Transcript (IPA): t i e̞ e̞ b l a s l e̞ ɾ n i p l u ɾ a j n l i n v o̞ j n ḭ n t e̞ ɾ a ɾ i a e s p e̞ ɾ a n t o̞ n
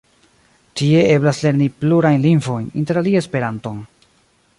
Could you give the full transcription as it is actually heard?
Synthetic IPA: t i e̞ e̞ b l a s l e̞ ɾ n i p l u ɾ a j n l i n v o̞ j n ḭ n t e̞ ɾ a l i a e s p e̞ ɾ a n t o̞ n